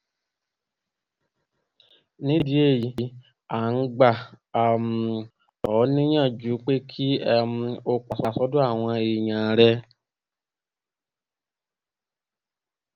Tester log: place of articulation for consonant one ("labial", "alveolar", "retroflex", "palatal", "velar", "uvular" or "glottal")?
alveolar